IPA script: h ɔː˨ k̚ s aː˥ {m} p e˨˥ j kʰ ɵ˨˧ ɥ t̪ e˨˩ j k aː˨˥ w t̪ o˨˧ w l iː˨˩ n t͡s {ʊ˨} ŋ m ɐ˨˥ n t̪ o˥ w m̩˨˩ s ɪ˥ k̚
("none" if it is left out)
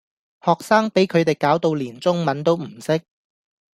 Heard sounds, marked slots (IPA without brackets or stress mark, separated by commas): ŋ, ʊ˥